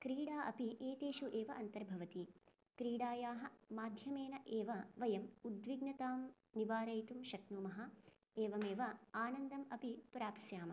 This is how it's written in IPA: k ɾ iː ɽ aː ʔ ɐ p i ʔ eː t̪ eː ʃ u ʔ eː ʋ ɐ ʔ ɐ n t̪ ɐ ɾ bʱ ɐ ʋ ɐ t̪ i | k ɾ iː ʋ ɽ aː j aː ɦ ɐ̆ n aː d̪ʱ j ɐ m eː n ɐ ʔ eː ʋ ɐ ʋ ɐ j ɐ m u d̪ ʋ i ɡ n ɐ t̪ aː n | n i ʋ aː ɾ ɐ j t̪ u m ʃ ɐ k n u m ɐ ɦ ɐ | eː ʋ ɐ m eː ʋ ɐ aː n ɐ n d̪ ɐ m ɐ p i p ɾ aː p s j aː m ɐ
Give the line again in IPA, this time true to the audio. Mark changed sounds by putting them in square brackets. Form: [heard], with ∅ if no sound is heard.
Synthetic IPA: k ɾ iː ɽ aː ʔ ɐ p i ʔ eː t̪ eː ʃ u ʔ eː ʋ ɐ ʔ ɐ n t̪ ɐ ɾ bʱ ɐ ʋ ɐ t̪ i | k ɾ iː [∅] ɽ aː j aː ɦ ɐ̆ [m] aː d̪ʱ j ɐ m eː n ɐ ʔ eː ʋ ɐ ʋ ɐ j ɐ m u d̪ ʋ i ɡ n ɐ t̪ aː [m] | n i ʋ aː ɾ ɐ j t̪ u m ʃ ɐ k n u m ɐ ɦ ɐ | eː ʋ ɐ m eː ʋ ɐ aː n ɐ n d̪ ɐ m ɐ p i p ɾ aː p s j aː m ɐ